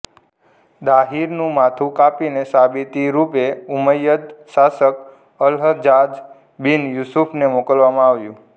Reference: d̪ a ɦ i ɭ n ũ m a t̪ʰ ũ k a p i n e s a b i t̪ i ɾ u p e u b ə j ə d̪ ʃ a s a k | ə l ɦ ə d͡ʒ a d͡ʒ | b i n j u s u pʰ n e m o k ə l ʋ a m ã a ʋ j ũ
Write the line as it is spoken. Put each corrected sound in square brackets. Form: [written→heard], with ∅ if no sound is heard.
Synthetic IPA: d̪ a ɦ i [ɭ→ɾ] n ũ m a t̪ʰ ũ k a p i n e s a b i t̪ i ɾ u p e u [b→m] ə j ə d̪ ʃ a s [a→ə] k | ə l ɦ ə d͡ʒ a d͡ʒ | b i n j u s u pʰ n e m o k ə l ʋ a m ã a ʋ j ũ